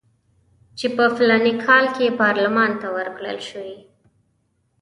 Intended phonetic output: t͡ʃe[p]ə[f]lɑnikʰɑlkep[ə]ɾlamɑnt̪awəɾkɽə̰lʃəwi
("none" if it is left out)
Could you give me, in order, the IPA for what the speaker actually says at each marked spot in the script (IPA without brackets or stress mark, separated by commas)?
p, f, ɑ